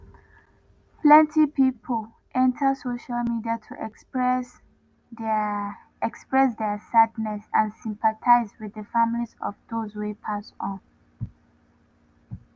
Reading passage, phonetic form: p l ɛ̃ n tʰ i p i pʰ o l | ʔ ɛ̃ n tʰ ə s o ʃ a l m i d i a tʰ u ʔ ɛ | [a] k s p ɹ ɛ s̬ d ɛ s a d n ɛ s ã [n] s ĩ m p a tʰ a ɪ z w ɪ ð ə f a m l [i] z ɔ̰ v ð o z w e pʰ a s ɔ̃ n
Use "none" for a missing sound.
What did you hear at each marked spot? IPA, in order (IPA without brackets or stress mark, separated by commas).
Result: ɛ, n, i